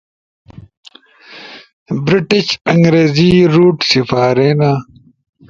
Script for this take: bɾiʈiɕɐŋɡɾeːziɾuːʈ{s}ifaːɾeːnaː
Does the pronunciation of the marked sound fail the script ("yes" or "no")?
no